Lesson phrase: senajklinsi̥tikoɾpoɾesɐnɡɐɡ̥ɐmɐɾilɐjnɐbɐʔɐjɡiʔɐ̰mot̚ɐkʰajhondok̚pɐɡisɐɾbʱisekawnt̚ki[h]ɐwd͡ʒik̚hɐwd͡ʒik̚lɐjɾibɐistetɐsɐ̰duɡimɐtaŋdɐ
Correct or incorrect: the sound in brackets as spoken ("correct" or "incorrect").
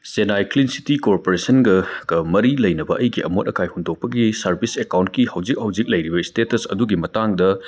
correct